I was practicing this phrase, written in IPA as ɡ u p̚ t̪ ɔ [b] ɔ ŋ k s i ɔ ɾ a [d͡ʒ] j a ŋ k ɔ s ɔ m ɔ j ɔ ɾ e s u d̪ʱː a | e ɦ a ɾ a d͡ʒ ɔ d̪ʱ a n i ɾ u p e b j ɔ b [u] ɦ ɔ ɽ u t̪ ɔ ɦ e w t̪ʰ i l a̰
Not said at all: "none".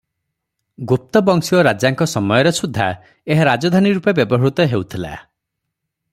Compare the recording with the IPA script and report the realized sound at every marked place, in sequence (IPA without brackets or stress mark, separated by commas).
b, d͡ʒ, ɔ